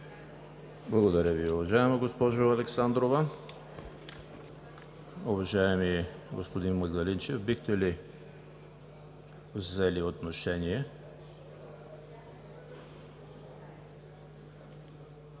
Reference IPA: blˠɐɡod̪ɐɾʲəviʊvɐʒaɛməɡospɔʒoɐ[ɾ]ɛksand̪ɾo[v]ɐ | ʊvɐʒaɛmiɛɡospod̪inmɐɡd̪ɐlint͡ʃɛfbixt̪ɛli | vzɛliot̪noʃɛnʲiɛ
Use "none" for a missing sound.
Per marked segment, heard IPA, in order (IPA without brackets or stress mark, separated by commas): l, v